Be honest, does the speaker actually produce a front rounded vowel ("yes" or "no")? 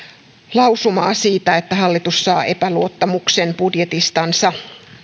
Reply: no